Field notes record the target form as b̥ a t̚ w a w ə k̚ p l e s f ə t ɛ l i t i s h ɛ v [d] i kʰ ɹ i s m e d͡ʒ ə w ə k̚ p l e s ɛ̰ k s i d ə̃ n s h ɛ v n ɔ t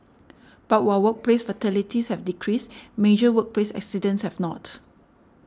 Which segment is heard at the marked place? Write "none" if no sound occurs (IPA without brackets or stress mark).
d